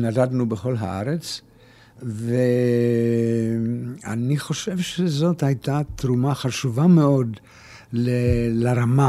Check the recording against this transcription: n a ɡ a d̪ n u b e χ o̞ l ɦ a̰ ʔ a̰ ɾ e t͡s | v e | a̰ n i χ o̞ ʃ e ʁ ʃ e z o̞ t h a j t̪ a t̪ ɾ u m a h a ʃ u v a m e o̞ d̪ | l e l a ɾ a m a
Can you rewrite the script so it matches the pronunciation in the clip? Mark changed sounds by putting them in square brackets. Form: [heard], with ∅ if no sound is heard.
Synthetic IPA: n a [d] a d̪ n u b e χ o̞ l ɦ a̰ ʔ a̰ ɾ e t͡s | v e | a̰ n i χ o̞ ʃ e [v] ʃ e z o̞ t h a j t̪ a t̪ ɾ u m a [χ] a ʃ u v a m e o̞ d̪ | l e l a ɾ a m a